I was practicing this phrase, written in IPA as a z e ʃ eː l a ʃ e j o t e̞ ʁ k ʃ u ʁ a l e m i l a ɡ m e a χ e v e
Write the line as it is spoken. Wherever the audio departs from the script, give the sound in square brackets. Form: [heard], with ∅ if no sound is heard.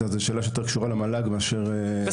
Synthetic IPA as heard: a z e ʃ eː l a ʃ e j o t e̞ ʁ k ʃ u ʁ a l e m [a] l a ɡ m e a [ʃ] e [ʁ] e